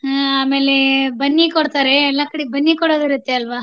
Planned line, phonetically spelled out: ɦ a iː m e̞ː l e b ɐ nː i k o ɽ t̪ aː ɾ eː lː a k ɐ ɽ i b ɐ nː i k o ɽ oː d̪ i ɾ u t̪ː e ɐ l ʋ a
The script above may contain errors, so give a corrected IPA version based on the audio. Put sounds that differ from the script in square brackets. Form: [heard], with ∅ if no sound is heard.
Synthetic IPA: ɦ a [aː] m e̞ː l e b ɐ nː i k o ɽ t̪ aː ɾ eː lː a k ɐ ɽ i b ɐ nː i k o ɽ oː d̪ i ɾ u t̪ː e ɐ l ʋ a